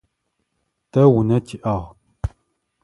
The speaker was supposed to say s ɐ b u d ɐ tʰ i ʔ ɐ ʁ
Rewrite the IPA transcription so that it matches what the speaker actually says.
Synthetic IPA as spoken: t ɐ w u n ɐ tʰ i ʔ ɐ ʁ